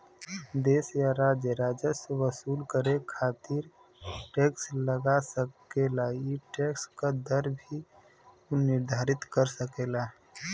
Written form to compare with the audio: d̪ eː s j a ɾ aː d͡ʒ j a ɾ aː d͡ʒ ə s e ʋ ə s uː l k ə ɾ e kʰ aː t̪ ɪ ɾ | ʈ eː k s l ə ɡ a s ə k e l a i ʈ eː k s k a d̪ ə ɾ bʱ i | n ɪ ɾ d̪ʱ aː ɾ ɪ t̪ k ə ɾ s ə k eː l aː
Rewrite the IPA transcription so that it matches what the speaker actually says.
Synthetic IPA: d̪ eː s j a ɾ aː d͡ʒ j ə ɾ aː d͡ʒ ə s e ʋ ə s uː l k ə ɾ e kʰ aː t̪ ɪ ɾ | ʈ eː k s l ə ɡ a s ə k e l a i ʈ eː k s k a d̪ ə ɾ bʱ i | n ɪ ɾ d̪ʱ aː ɾ ɪ t̪ k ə ɾ s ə k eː l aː